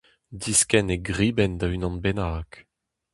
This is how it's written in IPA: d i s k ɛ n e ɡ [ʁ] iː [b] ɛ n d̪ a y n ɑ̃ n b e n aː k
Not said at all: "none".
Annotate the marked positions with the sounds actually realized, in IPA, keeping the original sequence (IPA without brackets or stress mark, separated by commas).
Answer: ʁ, b